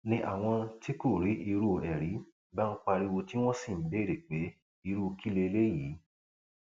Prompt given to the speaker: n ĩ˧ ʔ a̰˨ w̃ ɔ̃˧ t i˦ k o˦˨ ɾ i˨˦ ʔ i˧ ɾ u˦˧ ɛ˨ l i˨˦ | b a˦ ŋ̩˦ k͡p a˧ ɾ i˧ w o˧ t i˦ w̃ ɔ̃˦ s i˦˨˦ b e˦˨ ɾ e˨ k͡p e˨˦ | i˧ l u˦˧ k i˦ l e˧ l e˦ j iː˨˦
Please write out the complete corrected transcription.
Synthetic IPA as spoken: n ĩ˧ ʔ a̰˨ w̃ ɔ̃˧ t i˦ k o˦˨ ɾ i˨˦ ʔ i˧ ɾ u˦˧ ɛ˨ ɾ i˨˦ | b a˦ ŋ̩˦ k͡p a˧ ɾ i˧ w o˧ t i˦ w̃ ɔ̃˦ s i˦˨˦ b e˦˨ ɾ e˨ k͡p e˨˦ | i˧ ɾ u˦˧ k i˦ l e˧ l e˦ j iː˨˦